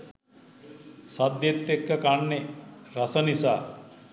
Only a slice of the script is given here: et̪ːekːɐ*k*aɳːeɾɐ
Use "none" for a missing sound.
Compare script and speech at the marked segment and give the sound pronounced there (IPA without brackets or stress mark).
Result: k